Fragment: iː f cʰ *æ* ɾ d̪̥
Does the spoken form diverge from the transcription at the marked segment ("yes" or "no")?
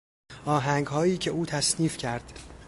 no